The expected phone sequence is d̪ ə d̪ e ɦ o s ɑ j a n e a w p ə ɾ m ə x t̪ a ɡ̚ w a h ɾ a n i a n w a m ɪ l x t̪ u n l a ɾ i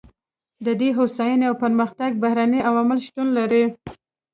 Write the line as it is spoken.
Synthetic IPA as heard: d̪ ə d̪ e ɦ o s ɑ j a n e a w p ə ɾ m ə x t̪ a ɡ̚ b a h ɾ a n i a w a m ɪ l ʃ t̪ u n l a ɾ i